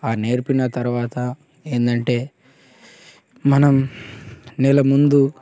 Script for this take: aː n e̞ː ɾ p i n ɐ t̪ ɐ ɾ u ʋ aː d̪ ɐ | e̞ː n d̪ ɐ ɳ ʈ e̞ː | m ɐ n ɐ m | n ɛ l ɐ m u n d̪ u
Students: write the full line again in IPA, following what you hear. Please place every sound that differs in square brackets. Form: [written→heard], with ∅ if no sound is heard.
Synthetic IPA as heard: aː n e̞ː ɾ p i n ɐ t̪ ɐ ɾ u ʋ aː [d̪→t̪] ɐ | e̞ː n d̪ ɐ ɳ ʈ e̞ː | m ɐ n ɐ m | n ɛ l ɐ m u n d̪ u

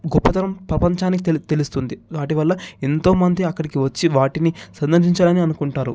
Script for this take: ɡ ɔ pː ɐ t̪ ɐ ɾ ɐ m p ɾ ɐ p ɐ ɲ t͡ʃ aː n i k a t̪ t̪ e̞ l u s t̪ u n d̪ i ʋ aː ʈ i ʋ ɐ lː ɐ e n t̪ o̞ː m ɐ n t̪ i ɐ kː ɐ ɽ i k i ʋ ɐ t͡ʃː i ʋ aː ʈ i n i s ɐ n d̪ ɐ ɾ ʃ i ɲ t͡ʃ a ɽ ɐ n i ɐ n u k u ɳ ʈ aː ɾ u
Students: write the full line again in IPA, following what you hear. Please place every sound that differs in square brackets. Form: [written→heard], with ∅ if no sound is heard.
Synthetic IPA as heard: ɡ ɔ pː ɐ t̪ ɐ ɾ ɐ m p ɾ ɐ p ɐ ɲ t͡ʃ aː n i k [a→i] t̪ t̪ e̞ l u s t̪ u n d̪ i ʋ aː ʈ i ʋ ɐ lː ɐ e n t̪ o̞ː m ɐ n [t̪→d̪] i ɐ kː ɐ ɽ i k i ʋ ɐ t͡ʃː i ʋ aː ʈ i n i s ɐ n d̪ ɐ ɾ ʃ i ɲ t͡ʃ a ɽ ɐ n i ɐ n u k u ɳ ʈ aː ɾ u

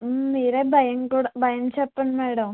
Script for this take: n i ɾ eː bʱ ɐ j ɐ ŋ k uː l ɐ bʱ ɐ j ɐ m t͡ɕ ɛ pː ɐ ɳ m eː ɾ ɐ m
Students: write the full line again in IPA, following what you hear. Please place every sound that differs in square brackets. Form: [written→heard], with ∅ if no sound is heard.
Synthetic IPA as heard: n [i→iː] ɾ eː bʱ ɐ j ɐ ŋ k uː [l→ɽ] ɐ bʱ ɐ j ɐ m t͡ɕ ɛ pː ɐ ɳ m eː [ɾ→ɽ] ɐ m

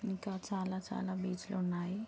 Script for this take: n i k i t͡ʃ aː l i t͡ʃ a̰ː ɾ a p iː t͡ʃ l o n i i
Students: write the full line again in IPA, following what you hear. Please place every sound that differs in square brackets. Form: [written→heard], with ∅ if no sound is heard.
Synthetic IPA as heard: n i k [i→a] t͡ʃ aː l [i→a] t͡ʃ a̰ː [ɾ→l] a [p→b] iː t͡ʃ l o n [i→a] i

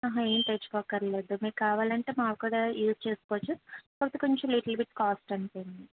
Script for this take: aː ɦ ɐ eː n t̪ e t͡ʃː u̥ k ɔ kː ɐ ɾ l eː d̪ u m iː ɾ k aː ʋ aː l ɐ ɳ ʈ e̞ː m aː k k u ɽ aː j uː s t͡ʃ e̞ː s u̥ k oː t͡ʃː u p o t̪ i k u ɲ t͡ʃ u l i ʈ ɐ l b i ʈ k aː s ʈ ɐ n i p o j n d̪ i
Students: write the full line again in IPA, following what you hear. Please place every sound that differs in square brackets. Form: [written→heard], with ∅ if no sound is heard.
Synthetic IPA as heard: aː ɦ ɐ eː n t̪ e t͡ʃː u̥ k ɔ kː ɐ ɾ l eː d̪ u m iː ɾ k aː ʋ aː l ɐ ɳ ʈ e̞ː m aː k k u ɽ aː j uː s t͡ʃ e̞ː s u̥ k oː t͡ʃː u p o t̪ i k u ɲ t͡ʃ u l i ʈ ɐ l b i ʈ k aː s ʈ ɐ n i p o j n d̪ i

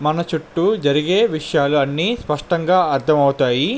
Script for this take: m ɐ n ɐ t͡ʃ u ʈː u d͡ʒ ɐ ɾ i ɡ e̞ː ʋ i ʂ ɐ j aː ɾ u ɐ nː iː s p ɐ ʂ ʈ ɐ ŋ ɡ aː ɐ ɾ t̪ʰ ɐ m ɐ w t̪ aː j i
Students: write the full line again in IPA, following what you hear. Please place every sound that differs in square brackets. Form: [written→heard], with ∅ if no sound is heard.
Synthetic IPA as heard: m ɐ n ɐ t͡ʃ u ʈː u d͡ʒ ɐ ɾ i ɡ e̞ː ʋ i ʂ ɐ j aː [ɾ→l] u ɐ nː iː s p ɐ ʂ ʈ ɐ ŋ ɡ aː ɐ ɾ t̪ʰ ɐ m ɐ w t̪ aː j i

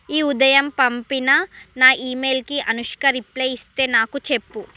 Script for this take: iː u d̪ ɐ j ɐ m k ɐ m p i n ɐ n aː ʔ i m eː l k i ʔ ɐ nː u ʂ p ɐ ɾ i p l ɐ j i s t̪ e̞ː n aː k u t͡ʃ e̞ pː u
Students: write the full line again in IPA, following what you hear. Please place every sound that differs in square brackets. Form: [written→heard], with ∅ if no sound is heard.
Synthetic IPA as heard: iː u d̪ ɐ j ɐ m [k→p] ɐ m p i n ɐ n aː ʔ [i→iː] m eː l k i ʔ ɐ [nː→n] u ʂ [p→k] ɐ ɾ i p l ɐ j i s t̪ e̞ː n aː k u t͡ʃ e̞ pː u

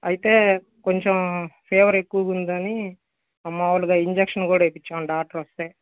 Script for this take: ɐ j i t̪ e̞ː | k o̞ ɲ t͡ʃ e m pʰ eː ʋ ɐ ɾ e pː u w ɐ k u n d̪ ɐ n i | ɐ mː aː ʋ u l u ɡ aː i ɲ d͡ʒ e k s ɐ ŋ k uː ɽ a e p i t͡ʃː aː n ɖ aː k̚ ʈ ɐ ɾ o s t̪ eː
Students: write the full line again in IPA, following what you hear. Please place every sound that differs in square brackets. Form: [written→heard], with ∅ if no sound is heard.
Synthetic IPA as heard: ɐ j i t̪ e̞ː | k o̞ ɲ t͡ʃ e m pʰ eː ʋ ɐ ɾ e [pː→kː] u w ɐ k u n d̪ ɐ n i | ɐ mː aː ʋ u l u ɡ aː i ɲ d͡ʒ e k [s→ʂ] ɐ [ŋ→n] k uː ɽ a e p i t͡ʃː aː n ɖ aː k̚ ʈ ɐ ɾ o s t̪ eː

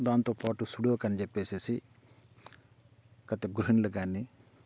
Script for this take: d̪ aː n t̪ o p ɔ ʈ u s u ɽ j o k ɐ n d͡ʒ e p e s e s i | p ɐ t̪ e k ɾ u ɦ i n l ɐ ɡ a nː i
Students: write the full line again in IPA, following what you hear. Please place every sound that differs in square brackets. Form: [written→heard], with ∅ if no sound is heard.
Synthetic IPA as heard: d̪ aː n t̪ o p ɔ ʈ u s u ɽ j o k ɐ n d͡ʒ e p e s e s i | [p→k] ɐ t̪ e [k→ɡ] ɾ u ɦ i n l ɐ ɡ a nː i

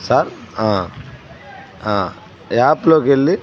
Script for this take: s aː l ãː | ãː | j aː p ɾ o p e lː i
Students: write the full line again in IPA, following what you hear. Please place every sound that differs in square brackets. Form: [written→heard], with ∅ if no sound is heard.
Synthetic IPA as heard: s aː [l→ɾ] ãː | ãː | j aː p [ɾ→l] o [p→k] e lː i

